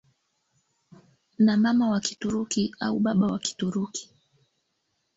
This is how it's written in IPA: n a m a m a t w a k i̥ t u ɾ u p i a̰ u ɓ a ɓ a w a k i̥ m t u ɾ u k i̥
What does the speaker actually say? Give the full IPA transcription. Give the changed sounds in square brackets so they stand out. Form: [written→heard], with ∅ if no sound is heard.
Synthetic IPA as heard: n a m a m a [t→∅] w a k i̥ t u ɾ u [p→k] i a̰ u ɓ a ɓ a w a k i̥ [m→∅] t u ɾ u k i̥